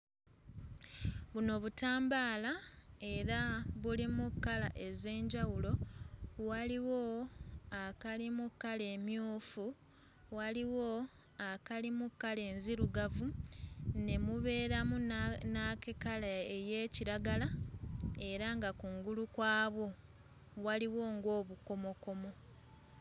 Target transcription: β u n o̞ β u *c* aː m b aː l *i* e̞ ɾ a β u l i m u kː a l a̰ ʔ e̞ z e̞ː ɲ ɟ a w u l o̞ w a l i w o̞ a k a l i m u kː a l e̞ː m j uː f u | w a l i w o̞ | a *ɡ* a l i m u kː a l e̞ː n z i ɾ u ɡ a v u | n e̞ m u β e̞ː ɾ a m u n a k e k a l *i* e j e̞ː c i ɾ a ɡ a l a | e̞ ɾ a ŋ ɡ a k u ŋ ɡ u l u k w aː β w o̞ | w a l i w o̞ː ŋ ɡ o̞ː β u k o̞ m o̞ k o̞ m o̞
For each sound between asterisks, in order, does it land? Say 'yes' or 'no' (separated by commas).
no, no, no, no